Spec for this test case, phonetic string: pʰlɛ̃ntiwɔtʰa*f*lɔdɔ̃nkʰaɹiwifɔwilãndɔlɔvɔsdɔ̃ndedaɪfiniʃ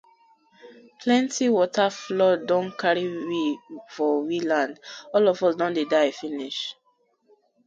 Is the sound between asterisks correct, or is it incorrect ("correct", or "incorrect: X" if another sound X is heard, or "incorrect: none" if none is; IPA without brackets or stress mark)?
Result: correct